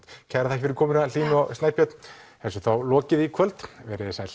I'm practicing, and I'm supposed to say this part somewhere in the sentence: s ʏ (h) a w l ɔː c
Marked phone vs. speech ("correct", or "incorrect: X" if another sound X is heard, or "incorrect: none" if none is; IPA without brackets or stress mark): incorrect: θ